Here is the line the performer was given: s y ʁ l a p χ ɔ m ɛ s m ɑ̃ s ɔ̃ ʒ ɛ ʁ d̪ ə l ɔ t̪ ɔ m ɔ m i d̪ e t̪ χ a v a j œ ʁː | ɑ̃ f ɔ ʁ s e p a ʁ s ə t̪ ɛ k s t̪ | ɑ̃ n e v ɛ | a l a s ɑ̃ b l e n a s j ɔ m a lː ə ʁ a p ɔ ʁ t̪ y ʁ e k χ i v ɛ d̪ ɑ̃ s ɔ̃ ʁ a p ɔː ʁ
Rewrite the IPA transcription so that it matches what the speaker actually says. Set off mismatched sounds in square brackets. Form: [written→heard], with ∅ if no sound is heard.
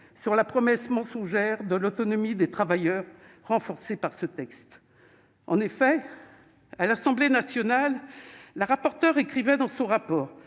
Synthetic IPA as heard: s y ʁ l a p χ ɔ m ɛ s m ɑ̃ s ɔ̃ ʒ ɛ ʁ d̪ ə l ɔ t̪ ɔ [m→n] ɔ m i d̪ e t̪ χ a v a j œ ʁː | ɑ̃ f ɔ ʁ s e p a ʁ s ə t̪ ɛ k s t̪ | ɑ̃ n e [v→f] ɛ | a l a s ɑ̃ b l e n a s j ɔ [m→n] a lː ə ʁ a p ɔ ʁ t̪ [y→œ] ʁ e k χ i v ɛ d̪ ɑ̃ s ɔ̃ ʁ a p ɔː ʁ

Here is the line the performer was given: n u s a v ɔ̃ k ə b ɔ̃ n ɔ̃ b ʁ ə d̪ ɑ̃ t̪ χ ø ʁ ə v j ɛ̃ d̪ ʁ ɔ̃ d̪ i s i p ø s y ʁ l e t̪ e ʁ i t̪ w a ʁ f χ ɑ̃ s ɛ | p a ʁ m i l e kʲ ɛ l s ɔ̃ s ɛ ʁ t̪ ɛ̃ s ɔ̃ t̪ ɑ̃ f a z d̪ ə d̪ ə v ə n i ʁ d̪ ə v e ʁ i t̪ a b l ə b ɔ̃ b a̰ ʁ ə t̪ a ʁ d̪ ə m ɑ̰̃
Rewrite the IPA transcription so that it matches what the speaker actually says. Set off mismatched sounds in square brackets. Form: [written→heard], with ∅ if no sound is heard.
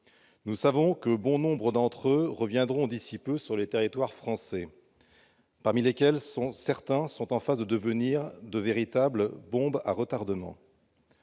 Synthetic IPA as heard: n u s a v ɔ̃ k ə b ɔ̃ n ɔ̃ b ʁ ə d̪ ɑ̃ t̪ χ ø ʁ ə v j ɛ̃ d̪ ʁ ɔ̃ d̪ i s i p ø s y ʁ l e t̪ e ʁ i t̪ w a ʁ f χ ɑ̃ s ɛ | p a ʁ m i l e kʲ ɛ l s ɔ̃ s ɛ ʁ t̪ ɛ̃ s ɔ̃ t̪ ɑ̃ f a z d̪ ə d̪ ə v ə n i ʁ d̪ ə v e ʁ i t̪ a b l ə b ɔ̃ b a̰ ʁ ə t̪ a ʁ d̪ ə m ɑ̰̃

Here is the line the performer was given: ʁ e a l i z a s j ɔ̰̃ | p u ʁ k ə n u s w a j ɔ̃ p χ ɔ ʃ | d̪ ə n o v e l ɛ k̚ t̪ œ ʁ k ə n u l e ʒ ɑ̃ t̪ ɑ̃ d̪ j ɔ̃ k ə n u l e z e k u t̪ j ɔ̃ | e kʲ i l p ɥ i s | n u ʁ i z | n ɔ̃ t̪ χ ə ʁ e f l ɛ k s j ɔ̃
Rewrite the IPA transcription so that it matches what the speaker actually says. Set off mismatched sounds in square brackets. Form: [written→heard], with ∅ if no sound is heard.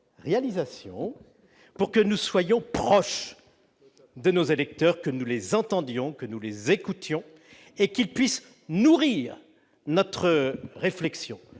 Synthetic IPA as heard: ʁ e a l i z a s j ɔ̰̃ | p u ʁ k ə n u s w a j ɔ̃ p χ ɔ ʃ | d̪ ə n o [v→z] e l ɛ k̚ t̪ œ ʁ k ə n u l e [ʒ→z] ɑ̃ t̪ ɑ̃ d̪ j ɔ̃ k ə n u l e z e k u t̪ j ɔ̃ | e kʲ i l p ɥ i s | n u ʁ i [z→ʁ] | n [ɔ̃→ɔ] t̪ χ ə ʁ e f l ɛ k s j ɔ̃

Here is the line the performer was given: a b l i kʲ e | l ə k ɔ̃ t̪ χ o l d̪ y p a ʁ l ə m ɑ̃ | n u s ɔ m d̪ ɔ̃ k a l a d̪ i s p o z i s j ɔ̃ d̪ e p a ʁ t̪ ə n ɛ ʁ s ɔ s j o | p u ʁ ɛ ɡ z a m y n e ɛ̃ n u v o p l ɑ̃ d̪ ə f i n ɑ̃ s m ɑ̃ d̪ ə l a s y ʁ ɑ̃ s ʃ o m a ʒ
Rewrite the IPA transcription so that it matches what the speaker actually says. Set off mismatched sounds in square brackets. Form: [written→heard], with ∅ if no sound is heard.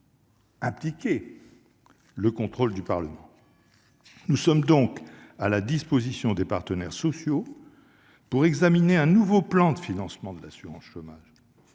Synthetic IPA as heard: a [b→p] l i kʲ e | l ə k ɔ̃ t̪ χ o l d̪ y p a ʁ l ə m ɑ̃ | n u s ɔ m d̪ ɔ̃ k a l a d̪ i s p o z i s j ɔ̃ d̪ e p a ʁ t̪ ə n ɛ ʁ s ɔ s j o | p u ʁ ɛ ɡ z a m [y→i] n e ɛ̃ n u v o p l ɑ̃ d̪ ə f i n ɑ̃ s m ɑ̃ d̪ ə l a s y ʁ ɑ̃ s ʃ o m a ʒ

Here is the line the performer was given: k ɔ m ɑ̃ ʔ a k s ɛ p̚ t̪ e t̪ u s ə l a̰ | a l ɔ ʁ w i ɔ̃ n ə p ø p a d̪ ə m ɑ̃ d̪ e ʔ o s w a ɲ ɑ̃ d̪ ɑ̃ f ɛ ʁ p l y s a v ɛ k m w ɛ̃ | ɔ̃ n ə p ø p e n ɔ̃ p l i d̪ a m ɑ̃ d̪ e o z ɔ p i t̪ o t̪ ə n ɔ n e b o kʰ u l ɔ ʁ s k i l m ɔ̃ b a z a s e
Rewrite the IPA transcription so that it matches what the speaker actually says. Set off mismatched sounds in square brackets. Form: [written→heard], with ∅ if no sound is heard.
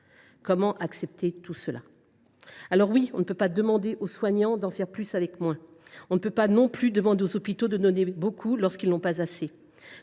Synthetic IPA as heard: k ɔ m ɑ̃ ʔ a k s ɛ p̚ t̪ e t̪ u s ə l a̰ | a l ɔ ʁ w i ɔ̃ n ə p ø p a d̪ ə m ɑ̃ d̪ e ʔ o s w a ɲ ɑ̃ d̪ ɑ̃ f ɛ ʁ p l y s a v ɛ k m w ɛ̃ | ɔ̃ n ə p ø p [e→a] n ɔ̃ p l [i→y] d̪ [a→ə] m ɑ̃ d̪ e o z ɔ p i t̪ o [t̪→d̪] ə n ɔ n e b o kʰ u l ɔ ʁ s k i l [m→n] ɔ̃ [b→p] a z a s e

